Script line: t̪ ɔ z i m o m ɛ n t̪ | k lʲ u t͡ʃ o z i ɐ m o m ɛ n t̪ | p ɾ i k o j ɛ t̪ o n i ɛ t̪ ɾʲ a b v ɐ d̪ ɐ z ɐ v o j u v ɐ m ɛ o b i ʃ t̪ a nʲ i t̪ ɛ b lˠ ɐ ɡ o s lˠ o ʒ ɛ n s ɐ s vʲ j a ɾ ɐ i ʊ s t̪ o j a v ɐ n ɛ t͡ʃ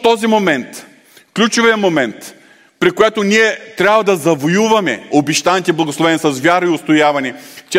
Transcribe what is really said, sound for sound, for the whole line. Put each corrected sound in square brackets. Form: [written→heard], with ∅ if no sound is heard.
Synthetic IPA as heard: t̪ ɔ z i m o m ɛ n t̪ | k lʲ u t͡ʃ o [z→v] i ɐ m o m ɛ n t̪ | p ɾ i k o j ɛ t̪ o n i ɛ t̪ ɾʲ a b v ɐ d̪ ɐ z ɐ v o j u v ɐ m ɛ o b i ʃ t̪ a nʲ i t̪ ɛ b lˠ ɐ ɡ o s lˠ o [ʒ→v] ɛ n s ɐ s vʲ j a ɾ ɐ i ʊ s t̪ o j a v ɐ n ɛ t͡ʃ